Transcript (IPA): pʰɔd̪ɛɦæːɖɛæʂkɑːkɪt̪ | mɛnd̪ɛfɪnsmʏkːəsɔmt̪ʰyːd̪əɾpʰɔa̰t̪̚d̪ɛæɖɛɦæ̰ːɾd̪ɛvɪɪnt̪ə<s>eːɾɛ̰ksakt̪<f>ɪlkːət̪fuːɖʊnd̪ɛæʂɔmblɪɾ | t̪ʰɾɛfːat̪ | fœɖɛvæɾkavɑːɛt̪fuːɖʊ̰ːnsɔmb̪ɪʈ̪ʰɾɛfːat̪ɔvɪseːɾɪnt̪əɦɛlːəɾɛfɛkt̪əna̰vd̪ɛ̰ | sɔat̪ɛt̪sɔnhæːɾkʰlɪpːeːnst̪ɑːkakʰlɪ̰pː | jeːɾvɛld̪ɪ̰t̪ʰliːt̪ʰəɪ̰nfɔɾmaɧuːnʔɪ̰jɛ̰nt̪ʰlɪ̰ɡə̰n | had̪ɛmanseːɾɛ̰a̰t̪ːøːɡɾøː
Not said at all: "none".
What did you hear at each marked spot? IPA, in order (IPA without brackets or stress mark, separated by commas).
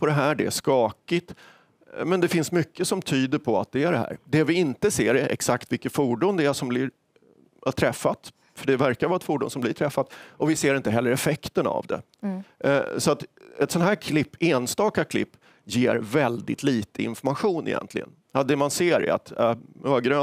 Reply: s, v